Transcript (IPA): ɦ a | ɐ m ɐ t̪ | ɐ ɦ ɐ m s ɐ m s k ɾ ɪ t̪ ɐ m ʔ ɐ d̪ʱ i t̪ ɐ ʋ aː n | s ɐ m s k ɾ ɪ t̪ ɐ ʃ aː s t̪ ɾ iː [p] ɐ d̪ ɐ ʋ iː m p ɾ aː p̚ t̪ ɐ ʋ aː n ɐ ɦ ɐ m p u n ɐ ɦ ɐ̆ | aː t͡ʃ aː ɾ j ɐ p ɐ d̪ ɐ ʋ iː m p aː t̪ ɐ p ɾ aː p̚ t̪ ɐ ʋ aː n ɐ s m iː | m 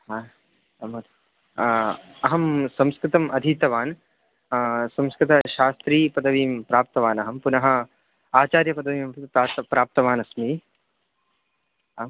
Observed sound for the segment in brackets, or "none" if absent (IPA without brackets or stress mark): p